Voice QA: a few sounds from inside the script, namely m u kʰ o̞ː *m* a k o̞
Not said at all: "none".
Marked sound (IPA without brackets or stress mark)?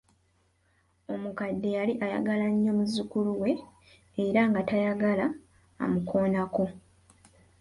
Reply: n